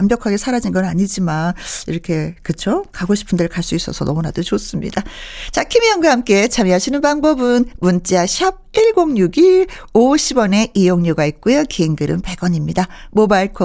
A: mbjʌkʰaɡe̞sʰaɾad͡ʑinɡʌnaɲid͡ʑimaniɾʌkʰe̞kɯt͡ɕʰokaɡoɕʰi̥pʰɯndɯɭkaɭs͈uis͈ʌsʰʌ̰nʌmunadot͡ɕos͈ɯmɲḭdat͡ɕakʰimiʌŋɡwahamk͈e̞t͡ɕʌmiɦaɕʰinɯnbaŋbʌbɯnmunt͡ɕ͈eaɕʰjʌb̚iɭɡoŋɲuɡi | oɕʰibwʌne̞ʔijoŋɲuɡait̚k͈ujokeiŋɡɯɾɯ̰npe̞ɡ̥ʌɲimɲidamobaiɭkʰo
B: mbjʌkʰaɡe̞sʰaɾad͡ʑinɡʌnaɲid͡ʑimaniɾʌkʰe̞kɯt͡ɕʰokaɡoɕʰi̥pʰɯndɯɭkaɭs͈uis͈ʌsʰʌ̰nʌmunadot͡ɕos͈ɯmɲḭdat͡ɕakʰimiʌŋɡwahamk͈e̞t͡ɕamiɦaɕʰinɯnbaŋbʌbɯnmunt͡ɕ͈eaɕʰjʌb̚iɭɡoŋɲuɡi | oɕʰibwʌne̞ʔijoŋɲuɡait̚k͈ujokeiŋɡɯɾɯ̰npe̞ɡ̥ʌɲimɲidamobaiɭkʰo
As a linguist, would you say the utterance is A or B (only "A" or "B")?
B